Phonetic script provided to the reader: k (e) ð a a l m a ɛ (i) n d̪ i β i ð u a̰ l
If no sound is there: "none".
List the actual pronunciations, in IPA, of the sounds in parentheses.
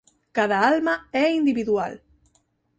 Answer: a, i

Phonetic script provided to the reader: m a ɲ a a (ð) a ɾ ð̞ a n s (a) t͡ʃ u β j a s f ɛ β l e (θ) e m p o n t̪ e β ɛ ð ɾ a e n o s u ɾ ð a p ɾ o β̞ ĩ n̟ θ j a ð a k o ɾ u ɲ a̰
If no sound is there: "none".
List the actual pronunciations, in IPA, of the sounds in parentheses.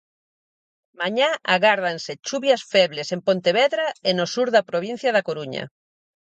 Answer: ɣ, e, s

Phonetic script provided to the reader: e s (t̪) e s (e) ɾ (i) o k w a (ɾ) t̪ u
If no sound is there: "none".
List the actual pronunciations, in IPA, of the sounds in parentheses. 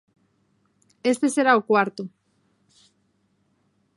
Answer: t̪, e, a, ɾ

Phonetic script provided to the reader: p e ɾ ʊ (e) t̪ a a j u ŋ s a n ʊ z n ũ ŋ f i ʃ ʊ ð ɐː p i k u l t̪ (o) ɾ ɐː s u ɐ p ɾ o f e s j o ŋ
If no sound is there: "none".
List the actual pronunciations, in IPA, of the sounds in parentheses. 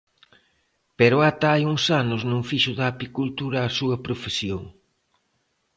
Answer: a, u

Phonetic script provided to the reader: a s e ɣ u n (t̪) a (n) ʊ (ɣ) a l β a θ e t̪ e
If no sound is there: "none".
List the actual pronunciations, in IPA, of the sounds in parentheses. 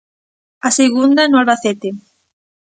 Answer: d̪, n, none

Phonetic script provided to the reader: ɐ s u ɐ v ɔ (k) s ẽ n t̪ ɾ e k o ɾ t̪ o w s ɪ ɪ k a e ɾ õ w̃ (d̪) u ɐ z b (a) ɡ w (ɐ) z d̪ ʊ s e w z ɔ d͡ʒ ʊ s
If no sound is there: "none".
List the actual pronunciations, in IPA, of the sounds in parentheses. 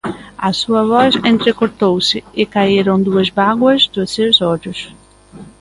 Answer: none, d̪, a, ɐ

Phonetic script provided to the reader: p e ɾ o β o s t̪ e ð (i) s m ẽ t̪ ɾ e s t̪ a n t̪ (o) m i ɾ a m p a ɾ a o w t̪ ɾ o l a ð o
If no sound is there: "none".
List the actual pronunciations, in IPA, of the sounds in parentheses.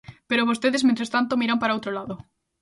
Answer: e, o

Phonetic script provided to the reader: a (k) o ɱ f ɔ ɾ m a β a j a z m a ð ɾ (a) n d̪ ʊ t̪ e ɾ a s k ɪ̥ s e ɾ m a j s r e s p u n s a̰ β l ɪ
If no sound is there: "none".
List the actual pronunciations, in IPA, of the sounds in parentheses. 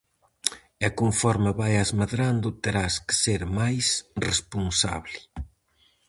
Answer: k, a

